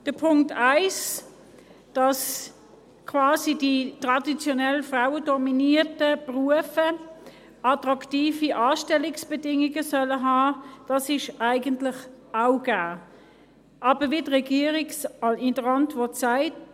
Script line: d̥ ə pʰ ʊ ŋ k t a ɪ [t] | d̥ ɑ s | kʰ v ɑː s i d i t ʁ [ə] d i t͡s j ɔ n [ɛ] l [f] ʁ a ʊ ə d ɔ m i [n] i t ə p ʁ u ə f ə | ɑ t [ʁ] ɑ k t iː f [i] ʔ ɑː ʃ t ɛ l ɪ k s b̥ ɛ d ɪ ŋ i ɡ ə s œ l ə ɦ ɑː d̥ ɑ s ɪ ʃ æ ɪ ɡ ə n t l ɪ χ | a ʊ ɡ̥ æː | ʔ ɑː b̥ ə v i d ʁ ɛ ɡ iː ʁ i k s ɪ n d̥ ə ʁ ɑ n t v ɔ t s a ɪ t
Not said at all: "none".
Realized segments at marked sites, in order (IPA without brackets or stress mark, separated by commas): s, ɑ, ɛ, f, n, ʁ, i